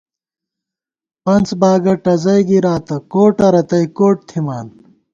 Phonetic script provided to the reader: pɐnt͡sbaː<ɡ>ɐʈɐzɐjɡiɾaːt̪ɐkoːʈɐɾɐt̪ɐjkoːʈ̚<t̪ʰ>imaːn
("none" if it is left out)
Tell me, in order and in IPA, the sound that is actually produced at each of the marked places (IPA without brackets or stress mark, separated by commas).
ɡ, t̪ʰ